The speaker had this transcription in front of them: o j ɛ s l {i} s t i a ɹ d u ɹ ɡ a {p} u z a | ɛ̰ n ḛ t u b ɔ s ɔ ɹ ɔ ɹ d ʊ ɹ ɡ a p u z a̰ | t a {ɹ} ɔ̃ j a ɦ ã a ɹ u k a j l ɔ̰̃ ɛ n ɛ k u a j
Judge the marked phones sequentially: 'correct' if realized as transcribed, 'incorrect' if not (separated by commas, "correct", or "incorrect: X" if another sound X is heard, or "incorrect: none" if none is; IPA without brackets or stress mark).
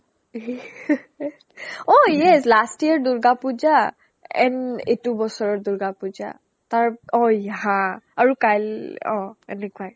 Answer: incorrect: a, correct, correct